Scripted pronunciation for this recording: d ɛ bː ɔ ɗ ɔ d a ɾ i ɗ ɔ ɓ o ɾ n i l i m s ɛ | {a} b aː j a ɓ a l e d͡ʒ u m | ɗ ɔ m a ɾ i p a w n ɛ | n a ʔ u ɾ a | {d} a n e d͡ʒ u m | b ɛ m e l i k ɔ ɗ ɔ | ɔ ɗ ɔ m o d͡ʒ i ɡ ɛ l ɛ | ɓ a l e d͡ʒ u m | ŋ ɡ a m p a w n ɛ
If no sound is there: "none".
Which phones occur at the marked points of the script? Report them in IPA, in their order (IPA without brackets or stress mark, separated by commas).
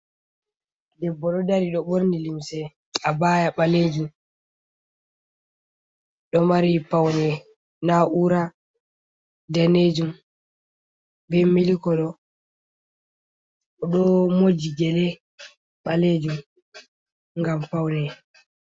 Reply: a, d